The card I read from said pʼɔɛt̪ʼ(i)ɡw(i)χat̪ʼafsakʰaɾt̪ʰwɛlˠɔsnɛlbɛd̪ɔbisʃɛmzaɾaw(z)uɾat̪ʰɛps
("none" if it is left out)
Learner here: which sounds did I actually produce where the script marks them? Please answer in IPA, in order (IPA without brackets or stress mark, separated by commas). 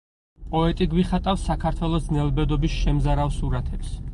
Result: i, i, s